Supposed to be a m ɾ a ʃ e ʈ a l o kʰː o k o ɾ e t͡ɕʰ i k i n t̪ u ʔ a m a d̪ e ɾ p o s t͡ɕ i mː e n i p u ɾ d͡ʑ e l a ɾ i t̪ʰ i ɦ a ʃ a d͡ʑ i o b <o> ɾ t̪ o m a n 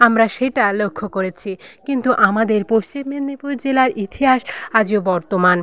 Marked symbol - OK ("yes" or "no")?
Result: no